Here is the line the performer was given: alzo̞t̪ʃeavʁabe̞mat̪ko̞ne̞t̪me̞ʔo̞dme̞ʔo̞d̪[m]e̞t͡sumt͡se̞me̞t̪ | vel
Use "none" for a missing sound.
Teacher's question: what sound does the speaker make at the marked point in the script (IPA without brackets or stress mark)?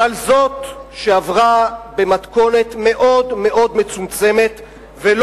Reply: m